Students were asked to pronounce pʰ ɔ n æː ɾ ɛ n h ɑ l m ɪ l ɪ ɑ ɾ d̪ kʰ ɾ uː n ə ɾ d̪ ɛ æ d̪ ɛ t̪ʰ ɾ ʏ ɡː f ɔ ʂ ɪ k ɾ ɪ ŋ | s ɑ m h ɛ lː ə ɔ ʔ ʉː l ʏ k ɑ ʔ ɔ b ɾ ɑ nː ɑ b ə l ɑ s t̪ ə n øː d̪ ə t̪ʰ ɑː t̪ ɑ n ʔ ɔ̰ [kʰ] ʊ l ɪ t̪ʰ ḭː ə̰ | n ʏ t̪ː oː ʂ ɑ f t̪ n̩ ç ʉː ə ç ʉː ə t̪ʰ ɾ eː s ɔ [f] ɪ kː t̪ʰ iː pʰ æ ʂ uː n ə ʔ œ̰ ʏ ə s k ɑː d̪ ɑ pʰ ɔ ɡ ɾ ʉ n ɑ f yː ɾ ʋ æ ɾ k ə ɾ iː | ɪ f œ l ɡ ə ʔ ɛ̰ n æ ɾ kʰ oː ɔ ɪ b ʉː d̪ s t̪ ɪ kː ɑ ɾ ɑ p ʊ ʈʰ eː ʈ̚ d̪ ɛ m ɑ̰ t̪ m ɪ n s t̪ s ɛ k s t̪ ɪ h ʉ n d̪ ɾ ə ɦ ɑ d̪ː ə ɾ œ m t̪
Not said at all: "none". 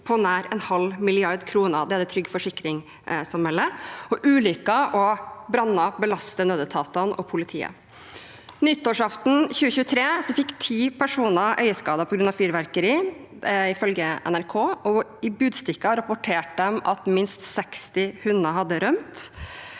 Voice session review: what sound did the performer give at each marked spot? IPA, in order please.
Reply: pʰ, f

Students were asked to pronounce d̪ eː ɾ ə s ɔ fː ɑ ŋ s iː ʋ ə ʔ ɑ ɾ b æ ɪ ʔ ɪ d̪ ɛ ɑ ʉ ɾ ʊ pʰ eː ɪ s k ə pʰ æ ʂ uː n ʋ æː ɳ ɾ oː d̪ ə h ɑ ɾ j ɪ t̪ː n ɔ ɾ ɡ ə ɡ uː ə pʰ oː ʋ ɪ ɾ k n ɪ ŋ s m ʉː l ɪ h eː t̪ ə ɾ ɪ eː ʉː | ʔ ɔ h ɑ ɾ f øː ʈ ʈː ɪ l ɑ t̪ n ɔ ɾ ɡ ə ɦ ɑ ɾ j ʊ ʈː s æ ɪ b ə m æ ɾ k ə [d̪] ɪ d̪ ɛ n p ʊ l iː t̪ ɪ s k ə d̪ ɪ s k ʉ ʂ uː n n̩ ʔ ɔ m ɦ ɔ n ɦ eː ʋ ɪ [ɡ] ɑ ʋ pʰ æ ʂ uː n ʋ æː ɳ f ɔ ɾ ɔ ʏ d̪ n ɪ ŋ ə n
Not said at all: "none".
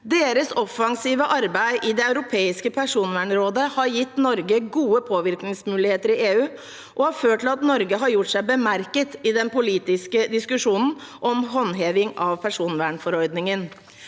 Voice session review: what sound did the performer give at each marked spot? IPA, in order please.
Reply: t̪, ŋ

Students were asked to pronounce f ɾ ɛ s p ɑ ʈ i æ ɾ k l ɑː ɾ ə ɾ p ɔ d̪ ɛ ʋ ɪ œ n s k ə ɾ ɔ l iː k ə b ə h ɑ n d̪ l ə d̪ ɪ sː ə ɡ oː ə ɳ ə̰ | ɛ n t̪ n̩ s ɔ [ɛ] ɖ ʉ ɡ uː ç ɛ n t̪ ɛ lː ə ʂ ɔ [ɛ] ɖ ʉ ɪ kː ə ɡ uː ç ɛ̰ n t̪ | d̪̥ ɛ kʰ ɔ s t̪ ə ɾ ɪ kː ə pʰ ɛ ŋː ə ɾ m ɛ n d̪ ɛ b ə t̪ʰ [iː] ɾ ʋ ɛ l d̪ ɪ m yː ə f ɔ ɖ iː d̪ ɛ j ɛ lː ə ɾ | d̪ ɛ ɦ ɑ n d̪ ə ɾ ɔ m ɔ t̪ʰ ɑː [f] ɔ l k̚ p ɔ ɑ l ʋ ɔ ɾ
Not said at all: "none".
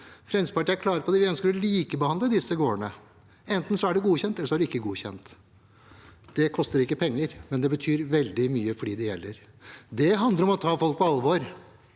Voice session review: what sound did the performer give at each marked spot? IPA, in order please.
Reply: æ, æ, yː, f

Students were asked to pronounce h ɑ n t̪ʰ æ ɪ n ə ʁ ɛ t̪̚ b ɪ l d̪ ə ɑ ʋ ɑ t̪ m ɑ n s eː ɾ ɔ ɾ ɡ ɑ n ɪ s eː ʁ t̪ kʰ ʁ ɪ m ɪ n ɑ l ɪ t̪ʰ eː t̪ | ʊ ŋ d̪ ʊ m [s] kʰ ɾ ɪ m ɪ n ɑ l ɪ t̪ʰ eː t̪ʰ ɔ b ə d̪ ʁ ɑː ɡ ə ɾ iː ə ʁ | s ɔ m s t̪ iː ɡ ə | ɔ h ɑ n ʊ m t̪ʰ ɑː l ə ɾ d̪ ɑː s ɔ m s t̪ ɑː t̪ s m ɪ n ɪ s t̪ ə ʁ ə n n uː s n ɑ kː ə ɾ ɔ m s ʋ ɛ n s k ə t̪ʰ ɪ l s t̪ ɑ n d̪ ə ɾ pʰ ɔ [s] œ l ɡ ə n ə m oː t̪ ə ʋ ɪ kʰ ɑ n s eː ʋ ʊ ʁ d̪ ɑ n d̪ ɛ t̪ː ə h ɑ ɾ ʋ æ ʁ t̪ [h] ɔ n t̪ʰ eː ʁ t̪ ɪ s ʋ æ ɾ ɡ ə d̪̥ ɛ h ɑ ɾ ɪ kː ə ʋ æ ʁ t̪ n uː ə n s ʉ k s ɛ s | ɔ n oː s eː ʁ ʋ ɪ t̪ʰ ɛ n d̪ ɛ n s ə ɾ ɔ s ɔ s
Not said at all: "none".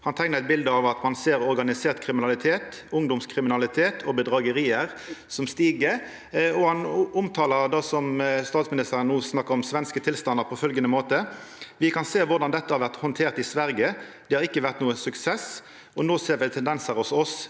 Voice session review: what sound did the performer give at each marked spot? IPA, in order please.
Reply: s, f, h

